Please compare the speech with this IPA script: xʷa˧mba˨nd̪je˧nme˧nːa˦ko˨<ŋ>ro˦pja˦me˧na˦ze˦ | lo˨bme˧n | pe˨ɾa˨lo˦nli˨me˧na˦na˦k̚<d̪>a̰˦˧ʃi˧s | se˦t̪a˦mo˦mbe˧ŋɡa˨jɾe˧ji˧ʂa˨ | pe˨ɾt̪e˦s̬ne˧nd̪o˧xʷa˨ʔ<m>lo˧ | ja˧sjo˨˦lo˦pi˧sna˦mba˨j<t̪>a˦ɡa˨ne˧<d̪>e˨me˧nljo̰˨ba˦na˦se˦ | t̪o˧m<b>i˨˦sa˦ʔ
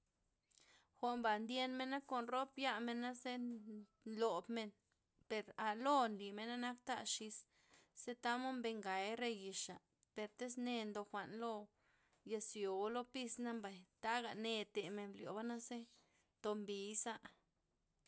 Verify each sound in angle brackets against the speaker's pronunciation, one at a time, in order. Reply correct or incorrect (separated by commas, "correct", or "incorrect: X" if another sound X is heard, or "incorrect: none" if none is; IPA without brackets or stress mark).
incorrect: n, incorrect: t̪, incorrect: n, correct, incorrect: t̪, correct